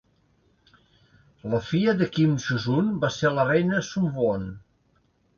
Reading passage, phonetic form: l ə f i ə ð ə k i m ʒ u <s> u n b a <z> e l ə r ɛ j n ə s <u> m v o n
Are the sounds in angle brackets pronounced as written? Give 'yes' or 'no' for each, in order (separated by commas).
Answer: no, no, yes